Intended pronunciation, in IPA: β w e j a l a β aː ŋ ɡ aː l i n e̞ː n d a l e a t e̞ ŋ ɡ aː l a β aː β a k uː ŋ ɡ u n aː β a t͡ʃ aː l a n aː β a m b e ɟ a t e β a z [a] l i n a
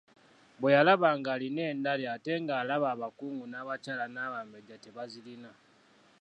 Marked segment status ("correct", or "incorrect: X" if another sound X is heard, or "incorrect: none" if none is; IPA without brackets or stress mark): incorrect: i